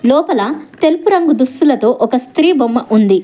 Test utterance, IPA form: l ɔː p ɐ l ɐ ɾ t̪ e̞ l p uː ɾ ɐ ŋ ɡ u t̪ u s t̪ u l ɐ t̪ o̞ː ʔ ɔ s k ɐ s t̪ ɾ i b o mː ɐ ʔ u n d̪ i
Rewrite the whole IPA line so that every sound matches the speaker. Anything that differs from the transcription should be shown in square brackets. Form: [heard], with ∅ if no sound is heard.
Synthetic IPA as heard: l ɔː p ɐ l ɐ [∅] t̪ e̞ l p [u] ɾ ɐ ŋ ɡ u [d̪] u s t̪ u l ɐ t̪ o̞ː ʔ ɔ [∅] k ɐ s t̪ ɾ [iː] b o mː ɐ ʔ u n d̪ i